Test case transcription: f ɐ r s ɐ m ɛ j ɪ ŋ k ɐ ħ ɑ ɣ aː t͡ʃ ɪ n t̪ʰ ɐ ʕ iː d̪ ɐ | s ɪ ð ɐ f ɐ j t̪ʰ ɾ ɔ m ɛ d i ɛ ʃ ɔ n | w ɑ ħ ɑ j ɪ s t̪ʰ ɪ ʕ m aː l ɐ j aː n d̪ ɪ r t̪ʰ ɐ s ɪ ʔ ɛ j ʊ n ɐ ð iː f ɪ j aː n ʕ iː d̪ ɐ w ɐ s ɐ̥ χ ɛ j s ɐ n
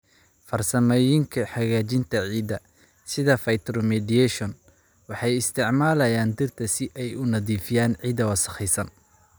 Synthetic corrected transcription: f ɐ r s ɐ m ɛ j ɪ ŋ kʰ ɐ ħ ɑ ɣ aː t͡ʃ ɪ n t̪ʰ ɐ ʕ iː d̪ ɐ | s ɪ ð ɐ f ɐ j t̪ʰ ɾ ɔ m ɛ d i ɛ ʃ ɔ n | w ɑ ħ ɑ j ɪ s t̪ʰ ɪ ʕ m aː l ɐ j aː n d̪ ɪ r t̪ʰ ɐ s ɪ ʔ ɛ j ʊ n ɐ ð iː f ɪ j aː n ʕ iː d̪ ɐ w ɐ s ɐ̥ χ ɛ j s ɐ n